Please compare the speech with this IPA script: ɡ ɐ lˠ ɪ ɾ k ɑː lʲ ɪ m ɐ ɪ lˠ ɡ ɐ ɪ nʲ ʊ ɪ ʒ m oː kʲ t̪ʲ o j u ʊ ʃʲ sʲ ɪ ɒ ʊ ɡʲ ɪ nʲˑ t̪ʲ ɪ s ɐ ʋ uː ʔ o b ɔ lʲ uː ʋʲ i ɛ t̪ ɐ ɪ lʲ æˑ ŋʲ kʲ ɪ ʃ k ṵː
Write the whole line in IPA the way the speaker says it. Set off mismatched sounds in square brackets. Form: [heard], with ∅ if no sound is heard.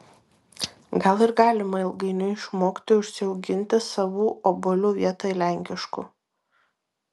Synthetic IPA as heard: ɡ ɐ lˠ ɪ ɾ [ɡ] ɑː lʲ ɪ m ɐ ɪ lˠ ɡ ɐ ɪ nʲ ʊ ɪ [ʃ] m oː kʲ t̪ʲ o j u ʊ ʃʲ sʲ ɪ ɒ ʊ ɡʲ ɪ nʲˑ t̪ʲ ɪ s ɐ ʋ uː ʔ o b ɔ lʲ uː ʋʲ i ɛ t̪ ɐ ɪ lʲ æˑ ŋʲ kʲ ɪ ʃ k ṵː